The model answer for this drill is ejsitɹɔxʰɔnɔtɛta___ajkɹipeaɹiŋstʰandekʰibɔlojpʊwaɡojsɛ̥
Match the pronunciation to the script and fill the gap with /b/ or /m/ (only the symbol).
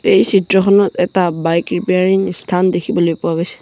b